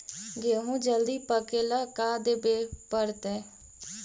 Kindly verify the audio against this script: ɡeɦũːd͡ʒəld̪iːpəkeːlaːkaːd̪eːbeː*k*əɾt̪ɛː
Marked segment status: incorrect: p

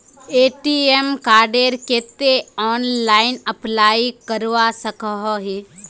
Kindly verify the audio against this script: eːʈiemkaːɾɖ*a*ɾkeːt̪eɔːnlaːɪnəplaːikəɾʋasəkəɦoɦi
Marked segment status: incorrect: e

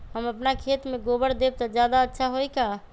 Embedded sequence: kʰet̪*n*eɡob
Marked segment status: incorrect: m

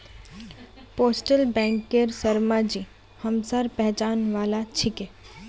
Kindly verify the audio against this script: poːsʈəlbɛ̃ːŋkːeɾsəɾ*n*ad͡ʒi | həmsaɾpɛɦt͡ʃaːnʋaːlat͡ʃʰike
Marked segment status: incorrect: m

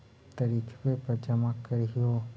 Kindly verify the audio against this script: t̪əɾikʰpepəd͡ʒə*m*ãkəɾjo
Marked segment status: correct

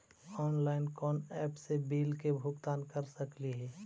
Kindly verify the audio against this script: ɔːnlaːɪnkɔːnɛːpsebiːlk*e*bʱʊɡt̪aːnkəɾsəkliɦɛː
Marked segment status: correct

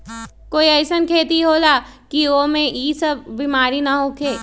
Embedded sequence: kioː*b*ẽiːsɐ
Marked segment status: incorrect: m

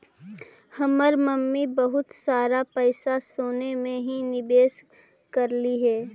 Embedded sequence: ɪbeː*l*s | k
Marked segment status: incorrect: none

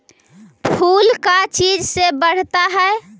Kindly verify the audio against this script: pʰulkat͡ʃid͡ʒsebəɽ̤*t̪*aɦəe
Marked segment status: correct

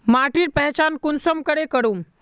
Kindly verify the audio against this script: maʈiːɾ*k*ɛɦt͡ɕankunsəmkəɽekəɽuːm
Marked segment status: incorrect: p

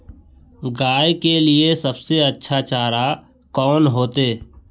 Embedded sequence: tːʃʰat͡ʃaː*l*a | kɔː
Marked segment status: incorrect: ɾ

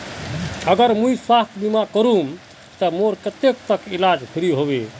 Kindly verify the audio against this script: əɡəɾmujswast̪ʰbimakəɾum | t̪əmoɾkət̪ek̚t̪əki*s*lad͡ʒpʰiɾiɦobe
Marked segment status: incorrect: none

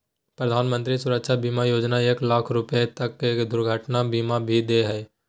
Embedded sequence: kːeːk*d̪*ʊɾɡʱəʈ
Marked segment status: correct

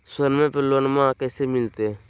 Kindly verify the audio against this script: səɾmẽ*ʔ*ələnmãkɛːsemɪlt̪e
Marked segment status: incorrect: p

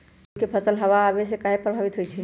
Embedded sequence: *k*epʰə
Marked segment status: correct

